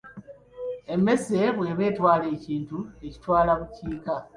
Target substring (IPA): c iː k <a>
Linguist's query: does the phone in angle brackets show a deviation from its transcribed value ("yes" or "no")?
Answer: no